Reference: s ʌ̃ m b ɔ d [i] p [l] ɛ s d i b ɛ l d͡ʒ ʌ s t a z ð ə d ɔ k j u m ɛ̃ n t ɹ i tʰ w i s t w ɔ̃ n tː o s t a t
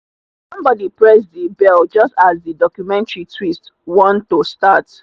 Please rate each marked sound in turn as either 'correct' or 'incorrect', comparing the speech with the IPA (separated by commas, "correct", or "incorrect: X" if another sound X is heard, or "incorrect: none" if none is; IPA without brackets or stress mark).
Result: correct, incorrect: ɹ